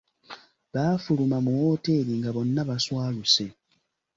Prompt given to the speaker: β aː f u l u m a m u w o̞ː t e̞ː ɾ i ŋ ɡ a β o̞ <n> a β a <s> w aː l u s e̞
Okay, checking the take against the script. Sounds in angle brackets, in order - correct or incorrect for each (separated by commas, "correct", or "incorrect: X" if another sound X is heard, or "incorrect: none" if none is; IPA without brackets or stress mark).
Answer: incorrect: nː, correct